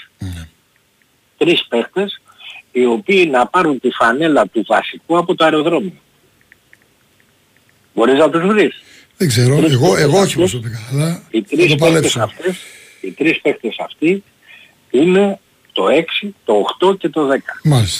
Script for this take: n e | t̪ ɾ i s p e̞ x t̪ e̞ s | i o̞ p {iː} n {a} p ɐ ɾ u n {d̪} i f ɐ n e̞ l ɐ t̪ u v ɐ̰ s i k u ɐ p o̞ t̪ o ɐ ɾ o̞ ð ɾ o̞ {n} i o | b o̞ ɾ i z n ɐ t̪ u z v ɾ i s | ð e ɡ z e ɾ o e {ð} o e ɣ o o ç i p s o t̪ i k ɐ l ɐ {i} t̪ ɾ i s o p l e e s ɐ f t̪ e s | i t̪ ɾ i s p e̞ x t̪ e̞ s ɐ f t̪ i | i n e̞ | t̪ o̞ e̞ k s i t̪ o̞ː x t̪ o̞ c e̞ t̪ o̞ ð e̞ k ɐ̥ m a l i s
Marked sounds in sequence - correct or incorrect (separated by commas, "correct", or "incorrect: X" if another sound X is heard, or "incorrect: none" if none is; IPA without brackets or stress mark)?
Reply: correct, incorrect: ɐ, incorrect: t̪, incorrect: m, incorrect: ɣ, correct